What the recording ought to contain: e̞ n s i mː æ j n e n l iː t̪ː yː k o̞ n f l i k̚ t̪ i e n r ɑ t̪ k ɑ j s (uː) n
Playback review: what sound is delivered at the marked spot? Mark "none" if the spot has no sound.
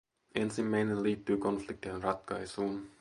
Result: uː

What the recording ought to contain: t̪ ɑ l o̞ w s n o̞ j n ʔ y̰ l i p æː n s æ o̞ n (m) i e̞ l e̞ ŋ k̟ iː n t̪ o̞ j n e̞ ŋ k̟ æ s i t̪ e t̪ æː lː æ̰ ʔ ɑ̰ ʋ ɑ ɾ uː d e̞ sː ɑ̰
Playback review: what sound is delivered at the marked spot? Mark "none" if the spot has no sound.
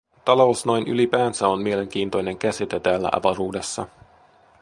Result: m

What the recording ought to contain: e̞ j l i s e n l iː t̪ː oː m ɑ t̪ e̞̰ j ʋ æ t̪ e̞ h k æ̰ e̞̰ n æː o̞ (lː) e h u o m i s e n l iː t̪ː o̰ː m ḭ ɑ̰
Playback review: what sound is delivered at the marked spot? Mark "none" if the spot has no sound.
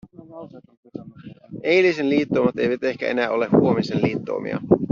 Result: l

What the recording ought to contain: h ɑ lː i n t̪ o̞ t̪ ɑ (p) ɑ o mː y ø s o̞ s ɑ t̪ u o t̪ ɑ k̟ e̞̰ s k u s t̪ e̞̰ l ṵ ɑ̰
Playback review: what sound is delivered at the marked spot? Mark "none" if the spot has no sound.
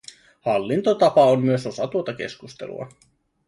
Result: p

